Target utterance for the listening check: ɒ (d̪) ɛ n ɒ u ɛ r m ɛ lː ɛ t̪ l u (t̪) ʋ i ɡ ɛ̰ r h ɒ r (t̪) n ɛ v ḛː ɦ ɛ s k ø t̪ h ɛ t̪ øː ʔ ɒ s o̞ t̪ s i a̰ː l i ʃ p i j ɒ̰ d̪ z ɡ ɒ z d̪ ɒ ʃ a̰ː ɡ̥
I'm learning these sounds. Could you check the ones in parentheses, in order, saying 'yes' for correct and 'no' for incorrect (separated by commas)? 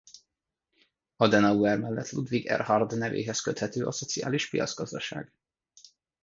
yes, no, no